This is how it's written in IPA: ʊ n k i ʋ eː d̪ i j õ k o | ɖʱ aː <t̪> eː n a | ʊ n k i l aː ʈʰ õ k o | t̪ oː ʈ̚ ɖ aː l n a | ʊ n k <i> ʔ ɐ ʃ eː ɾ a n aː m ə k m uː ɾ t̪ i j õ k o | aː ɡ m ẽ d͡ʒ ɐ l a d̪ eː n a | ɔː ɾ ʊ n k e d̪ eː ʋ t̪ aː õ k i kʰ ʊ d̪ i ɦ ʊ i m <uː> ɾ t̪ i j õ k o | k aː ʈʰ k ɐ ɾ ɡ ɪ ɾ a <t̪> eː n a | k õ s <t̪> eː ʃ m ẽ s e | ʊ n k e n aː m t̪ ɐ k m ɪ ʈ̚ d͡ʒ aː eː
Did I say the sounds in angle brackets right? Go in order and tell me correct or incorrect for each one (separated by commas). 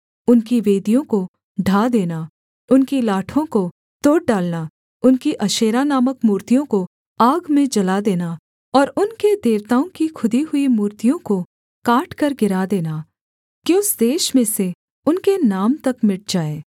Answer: incorrect, correct, correct, incorrect, incorrect